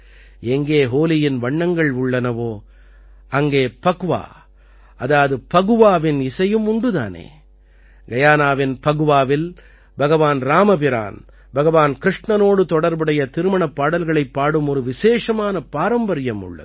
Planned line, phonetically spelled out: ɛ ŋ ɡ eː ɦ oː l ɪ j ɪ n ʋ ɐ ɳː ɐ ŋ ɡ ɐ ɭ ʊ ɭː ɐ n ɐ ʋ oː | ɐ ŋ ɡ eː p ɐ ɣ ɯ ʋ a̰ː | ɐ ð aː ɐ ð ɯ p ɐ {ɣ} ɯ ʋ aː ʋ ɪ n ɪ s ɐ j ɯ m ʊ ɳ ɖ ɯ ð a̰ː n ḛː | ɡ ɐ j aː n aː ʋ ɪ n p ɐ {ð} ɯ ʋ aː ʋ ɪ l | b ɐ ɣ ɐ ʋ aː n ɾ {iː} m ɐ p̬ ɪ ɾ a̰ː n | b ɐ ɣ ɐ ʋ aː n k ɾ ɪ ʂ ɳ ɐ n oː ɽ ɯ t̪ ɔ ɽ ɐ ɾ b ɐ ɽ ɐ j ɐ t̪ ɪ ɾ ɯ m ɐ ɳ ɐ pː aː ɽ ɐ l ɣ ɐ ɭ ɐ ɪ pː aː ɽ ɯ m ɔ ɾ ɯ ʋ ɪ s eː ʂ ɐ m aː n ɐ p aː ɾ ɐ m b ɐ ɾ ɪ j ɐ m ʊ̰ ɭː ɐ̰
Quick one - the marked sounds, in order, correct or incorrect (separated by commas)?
correct, incorrect, incorrect